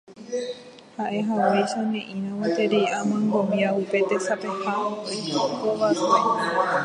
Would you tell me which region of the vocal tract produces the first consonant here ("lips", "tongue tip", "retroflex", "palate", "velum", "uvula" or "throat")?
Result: throat